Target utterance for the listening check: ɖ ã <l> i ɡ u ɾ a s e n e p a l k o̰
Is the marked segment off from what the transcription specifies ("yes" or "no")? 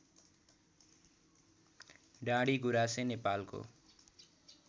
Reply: yes